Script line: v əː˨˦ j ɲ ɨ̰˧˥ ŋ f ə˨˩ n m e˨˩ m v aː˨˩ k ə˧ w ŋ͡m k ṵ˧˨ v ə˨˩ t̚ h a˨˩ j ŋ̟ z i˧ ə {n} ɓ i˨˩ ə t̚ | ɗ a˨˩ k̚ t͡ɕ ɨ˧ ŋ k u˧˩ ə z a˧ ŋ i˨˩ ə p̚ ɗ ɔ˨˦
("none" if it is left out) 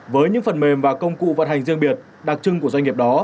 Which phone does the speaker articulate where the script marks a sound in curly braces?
ŋ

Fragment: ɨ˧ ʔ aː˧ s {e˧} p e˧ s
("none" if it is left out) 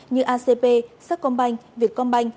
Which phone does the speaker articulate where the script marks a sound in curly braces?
e˧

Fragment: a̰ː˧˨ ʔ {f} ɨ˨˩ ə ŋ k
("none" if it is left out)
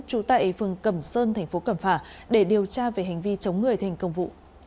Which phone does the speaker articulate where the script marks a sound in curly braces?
f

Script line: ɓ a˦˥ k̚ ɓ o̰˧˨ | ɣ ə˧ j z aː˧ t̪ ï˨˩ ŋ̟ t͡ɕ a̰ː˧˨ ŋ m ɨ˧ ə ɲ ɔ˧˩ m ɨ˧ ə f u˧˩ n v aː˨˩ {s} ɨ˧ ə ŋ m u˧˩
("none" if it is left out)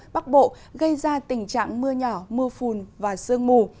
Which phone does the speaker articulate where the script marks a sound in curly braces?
s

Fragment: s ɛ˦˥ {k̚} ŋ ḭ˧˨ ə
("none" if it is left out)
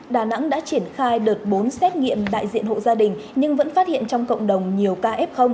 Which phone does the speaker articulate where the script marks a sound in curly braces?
t̚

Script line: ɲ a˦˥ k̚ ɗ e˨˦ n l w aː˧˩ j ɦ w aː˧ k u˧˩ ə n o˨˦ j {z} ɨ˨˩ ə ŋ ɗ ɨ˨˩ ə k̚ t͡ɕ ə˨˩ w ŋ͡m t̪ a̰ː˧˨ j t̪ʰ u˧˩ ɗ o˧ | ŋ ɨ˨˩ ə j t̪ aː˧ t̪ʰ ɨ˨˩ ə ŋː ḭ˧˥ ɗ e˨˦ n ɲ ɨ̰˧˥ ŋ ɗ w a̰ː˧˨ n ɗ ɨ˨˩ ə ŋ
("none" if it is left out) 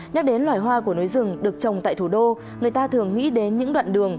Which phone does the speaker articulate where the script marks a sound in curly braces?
z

